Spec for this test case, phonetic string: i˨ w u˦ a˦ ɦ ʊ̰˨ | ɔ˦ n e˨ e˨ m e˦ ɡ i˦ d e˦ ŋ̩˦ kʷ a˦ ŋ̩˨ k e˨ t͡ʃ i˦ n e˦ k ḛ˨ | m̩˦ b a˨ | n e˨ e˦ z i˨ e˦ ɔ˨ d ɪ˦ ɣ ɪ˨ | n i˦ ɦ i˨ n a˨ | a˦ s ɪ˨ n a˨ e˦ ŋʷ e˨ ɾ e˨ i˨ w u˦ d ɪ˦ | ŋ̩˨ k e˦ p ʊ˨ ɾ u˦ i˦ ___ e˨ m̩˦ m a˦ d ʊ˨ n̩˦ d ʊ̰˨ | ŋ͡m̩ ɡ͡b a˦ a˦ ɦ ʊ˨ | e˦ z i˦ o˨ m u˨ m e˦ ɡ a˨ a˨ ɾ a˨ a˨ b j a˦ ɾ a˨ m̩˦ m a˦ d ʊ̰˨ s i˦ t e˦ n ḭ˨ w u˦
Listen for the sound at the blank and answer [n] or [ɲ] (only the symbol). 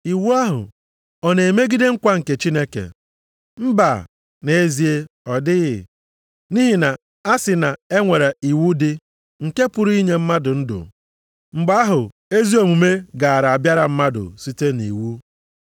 ɲ